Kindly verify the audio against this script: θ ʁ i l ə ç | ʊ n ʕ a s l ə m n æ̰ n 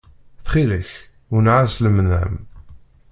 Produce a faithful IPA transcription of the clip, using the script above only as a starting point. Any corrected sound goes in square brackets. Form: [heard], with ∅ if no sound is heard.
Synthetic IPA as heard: θ [χ] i l ə ç | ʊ n ʕ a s l ə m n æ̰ [m]